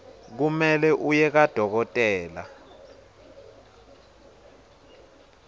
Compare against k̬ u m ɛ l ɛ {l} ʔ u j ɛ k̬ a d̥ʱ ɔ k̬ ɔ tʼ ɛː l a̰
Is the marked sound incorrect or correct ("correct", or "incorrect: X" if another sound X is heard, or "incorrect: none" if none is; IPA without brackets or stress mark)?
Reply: incorrect: none